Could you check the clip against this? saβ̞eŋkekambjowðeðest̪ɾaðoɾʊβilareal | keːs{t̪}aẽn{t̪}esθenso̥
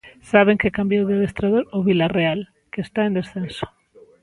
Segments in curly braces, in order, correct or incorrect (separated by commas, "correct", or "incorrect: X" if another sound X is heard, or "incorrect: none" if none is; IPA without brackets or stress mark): correct, incorrect: d̪